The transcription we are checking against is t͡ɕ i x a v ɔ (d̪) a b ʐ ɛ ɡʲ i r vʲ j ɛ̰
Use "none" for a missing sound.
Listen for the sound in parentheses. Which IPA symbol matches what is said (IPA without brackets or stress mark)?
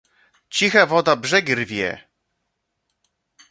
d̪